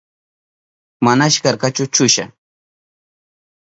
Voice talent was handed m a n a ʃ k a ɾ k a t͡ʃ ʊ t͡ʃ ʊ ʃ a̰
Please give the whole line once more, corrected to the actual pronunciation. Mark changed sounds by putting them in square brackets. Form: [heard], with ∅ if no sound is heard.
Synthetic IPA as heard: m a n a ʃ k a ɾ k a t͡ʃ ʊ t͡ʃ ʊ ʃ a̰